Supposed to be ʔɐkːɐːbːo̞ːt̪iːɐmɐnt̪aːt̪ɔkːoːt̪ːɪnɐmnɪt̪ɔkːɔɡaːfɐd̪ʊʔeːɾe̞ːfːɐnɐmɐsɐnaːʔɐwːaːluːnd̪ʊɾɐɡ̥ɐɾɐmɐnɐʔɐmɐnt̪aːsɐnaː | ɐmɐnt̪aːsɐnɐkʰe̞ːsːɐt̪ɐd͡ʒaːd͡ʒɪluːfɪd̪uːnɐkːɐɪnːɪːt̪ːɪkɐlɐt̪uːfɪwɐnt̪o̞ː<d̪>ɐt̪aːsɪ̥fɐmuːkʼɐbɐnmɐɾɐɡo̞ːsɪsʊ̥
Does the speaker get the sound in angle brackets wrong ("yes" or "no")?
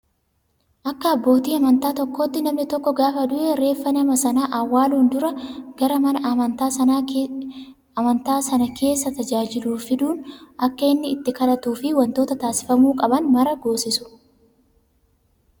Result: yes